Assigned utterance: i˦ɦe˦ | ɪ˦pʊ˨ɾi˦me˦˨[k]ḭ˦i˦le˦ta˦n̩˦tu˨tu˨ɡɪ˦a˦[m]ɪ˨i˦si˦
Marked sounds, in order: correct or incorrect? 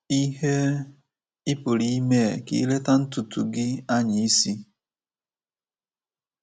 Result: correct, incorrect: ɲ

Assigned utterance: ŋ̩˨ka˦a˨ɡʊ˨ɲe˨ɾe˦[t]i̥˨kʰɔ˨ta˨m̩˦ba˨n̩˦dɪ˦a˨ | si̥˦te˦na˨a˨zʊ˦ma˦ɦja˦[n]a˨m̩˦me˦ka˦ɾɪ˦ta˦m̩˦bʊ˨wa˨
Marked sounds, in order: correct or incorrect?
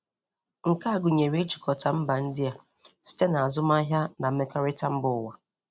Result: incorrect: t͡ʃ, correct

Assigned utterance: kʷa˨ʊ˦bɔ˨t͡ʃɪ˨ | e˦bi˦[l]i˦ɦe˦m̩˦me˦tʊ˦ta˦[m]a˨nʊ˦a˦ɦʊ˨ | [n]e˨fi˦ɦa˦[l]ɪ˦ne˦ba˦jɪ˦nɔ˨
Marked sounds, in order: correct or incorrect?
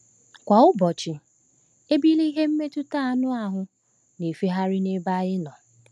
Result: correct, incorrect: none, correct, incorrect: ɾ

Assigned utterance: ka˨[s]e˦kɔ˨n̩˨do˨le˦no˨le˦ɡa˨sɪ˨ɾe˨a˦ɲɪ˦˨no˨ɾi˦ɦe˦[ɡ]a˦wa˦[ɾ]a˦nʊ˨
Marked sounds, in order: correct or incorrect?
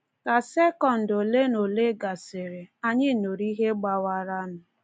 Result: correct, incorrect: ɡ͡b, correct

